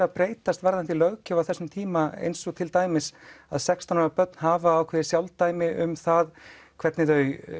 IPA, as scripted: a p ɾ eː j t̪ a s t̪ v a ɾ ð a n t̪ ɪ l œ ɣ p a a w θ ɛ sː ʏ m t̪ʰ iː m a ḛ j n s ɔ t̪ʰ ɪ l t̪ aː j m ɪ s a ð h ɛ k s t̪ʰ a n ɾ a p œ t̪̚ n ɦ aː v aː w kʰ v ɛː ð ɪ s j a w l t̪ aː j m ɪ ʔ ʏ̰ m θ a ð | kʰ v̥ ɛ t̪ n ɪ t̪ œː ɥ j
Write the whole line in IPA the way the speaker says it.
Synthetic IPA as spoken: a p ɾ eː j t̪ a s t̪ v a ɾ ð a n t̪ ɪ l œ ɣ c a a w θ ɛ sː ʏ m t̪ʰ iː m a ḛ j n s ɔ t̪ʰ ɪ l t̪ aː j m ɪ s a ð s ɛ k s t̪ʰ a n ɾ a p œ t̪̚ n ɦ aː v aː w kʰ v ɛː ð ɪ s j a w l t̪ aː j m ɪ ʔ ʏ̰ m θ a ð | kʰ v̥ ɛ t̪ n ɪ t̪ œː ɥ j